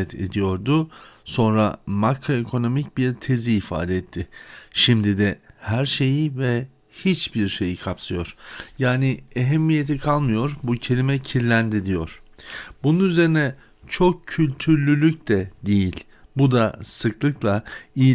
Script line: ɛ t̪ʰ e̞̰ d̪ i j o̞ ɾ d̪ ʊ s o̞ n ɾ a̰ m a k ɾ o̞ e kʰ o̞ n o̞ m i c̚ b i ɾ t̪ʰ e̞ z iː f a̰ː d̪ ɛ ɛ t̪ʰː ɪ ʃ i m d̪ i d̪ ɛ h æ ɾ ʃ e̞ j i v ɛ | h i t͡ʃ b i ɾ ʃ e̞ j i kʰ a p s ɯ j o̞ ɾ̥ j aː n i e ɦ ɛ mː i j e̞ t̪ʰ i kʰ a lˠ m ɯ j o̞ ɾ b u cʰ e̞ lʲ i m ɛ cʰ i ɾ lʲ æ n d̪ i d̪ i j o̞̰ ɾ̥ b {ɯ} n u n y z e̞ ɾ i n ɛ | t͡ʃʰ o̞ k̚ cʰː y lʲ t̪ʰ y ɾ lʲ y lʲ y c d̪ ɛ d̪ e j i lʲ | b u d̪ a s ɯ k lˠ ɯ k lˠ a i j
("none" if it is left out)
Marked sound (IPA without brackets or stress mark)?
u